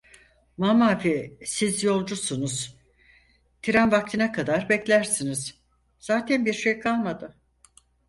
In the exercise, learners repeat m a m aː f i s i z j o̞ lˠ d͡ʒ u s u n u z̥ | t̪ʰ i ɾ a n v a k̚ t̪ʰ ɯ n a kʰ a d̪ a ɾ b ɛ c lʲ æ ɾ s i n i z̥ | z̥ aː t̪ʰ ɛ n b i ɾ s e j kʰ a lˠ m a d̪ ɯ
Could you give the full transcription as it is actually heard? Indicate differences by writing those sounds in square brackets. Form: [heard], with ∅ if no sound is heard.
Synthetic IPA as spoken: m a m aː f i s i z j o̞ lˠ d͡ʒ u s u n u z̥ | t̪ʰ i ɾ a n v a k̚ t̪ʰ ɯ n a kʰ a d̪ a ɾ b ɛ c lʲ æ ɾ s i n i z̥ | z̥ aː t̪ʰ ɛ n b i ɾ [ʃ] e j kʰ a lˠ m a d̪ ɯ